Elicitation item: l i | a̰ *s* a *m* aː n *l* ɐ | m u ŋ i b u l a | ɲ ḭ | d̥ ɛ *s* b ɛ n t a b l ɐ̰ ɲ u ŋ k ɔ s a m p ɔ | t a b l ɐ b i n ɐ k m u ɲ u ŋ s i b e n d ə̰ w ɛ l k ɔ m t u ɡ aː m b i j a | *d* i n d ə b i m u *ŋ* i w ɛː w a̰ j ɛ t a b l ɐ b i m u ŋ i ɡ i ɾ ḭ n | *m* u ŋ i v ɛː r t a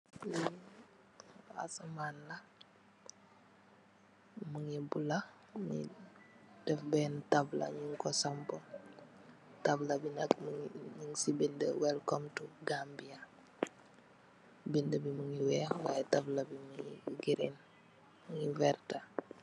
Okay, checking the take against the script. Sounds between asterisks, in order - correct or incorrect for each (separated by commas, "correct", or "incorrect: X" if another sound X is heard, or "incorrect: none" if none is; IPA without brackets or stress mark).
correct, correct, correct, incorrect: f, incorrect: b, correct, correct